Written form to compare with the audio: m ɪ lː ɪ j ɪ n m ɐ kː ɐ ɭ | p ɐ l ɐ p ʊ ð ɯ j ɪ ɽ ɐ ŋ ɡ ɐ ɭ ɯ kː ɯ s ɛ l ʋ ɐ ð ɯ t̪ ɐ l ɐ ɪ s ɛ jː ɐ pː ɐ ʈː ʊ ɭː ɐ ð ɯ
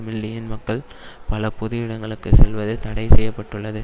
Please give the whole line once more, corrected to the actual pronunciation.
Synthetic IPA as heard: m ɪ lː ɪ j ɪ n m ɐ kː ɐ ɭ | p ɐ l ɐ p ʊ ð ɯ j ɪ ɽ ɐ ŋ ɡ ɐ ɭ ɯ kː ɯ s ɛ l ʋ ɐ ð ɯ t̪ ɐ ɽ ɐ ɪ s ɛ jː ɐ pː ɐ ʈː ɯ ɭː ɐ ð ɯ